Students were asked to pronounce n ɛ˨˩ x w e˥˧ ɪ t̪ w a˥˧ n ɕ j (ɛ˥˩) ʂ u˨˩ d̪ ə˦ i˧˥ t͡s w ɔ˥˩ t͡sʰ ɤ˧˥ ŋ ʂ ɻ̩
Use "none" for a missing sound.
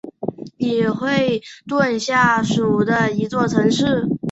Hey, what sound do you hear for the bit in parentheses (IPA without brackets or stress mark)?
a˥˩